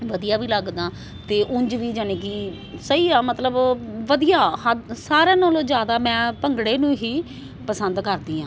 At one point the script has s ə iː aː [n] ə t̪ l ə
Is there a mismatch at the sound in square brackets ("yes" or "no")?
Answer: yes